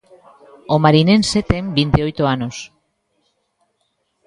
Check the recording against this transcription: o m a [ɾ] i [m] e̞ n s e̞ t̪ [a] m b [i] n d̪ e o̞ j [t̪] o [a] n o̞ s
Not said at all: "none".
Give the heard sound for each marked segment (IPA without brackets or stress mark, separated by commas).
ɾ, n, e, i, t̪, a